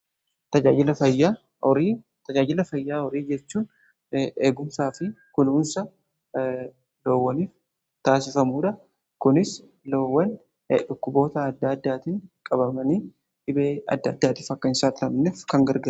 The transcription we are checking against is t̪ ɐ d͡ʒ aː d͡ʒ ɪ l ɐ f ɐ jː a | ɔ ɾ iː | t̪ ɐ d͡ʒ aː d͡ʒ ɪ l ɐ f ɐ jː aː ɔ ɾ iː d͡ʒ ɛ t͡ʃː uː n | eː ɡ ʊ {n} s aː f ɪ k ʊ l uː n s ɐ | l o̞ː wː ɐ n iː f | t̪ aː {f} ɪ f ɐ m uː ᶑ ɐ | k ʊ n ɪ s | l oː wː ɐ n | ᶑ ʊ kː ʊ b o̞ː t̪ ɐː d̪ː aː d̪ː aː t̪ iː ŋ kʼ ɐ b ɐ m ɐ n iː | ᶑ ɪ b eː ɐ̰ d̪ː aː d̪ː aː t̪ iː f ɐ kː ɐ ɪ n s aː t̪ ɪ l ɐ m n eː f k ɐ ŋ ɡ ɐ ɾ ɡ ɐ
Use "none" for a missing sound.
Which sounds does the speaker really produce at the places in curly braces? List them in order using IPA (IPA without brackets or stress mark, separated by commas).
m, s